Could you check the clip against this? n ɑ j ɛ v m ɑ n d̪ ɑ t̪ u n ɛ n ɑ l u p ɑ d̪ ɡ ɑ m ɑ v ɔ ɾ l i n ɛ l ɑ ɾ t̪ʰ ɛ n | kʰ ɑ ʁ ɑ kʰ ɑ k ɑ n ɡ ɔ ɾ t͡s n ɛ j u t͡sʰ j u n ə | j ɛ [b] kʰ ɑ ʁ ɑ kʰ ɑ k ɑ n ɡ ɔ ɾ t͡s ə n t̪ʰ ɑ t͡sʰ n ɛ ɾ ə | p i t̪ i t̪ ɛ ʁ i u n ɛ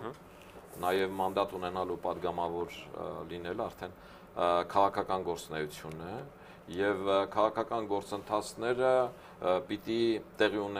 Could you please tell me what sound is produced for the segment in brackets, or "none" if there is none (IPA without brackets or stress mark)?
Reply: v